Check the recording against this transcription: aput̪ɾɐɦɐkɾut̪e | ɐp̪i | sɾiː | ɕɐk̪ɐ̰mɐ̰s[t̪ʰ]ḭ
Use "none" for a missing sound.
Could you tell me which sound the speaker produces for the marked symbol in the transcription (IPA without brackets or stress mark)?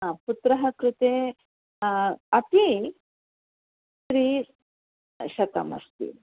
t̪